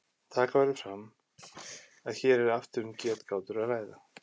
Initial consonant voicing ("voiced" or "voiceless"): voiceless